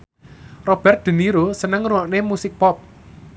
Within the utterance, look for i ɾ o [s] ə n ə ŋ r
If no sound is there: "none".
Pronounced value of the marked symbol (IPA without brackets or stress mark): s